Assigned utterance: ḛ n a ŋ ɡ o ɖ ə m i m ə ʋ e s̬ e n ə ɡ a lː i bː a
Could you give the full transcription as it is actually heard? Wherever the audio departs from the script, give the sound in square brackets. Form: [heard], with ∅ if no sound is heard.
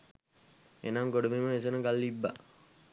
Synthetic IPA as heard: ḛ n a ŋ ɡ o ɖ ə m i m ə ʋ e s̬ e n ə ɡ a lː i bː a